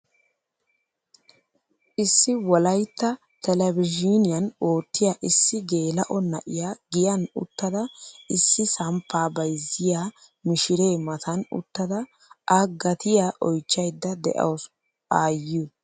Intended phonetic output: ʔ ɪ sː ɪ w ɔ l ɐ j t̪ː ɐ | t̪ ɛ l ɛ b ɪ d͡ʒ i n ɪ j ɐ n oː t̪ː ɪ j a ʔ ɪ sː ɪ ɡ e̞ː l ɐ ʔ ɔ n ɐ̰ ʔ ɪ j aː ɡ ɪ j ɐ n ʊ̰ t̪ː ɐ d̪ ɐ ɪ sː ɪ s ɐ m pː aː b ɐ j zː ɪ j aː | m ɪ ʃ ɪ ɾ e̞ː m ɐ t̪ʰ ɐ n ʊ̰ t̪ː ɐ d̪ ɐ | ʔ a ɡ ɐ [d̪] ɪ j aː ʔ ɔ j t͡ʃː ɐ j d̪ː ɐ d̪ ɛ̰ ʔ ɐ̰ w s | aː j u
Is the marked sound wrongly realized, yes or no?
yes